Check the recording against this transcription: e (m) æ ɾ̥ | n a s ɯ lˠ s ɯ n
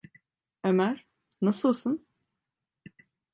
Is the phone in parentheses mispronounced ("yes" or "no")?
no